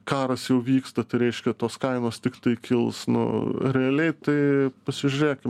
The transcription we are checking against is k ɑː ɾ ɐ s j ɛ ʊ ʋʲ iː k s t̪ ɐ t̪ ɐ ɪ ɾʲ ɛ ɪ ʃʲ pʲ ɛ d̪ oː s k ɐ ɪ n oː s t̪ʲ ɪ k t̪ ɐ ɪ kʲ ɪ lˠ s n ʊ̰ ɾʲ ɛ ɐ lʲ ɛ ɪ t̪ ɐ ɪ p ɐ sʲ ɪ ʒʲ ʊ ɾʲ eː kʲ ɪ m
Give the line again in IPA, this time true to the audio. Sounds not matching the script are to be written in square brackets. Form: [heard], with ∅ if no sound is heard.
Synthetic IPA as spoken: k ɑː ɾ ɐ s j ɛ ʊ ʋʲ iː k s t̪ ɐ t̪ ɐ ɪ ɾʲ ɛ ɪ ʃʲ [kʲ] ɛ [t̪] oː s k ɐ ɪ n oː s t̪ʲ ɪ k t̪ ɐ ɪ kʲ ɪ lˠ s n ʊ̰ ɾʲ ɛ ɐ lʲ ɛ ɪ t̪ ɐ ɪ p ɐ sʲ ɪ ʒʲ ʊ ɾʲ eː kʲ ɪ m